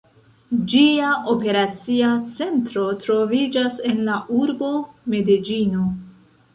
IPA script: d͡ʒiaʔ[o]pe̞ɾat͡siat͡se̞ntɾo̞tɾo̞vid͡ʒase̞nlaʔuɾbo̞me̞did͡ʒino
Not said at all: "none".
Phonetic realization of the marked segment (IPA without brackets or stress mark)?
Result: o